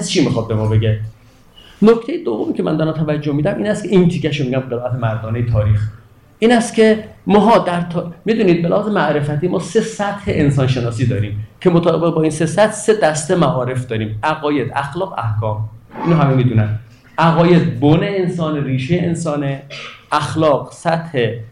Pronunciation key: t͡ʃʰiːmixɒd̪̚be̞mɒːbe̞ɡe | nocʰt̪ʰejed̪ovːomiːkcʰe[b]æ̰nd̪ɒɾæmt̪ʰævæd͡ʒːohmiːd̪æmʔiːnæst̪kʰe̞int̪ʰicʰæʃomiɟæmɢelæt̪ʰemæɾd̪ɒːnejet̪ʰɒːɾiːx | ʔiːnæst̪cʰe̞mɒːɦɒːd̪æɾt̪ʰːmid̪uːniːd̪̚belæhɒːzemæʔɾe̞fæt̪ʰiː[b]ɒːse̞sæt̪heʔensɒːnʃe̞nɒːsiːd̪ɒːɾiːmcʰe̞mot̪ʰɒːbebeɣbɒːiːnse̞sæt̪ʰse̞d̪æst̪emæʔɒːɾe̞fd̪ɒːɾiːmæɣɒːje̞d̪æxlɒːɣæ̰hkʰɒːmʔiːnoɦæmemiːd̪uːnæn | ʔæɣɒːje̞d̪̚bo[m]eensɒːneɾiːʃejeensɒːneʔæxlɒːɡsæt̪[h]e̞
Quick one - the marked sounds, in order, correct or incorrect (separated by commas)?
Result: incorrect, incorrect, incorrect, correct